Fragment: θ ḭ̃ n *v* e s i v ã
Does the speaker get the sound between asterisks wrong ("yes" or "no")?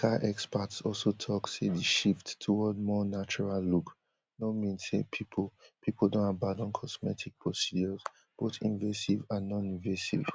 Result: no